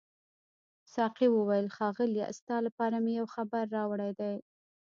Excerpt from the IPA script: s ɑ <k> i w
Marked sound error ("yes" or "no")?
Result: yes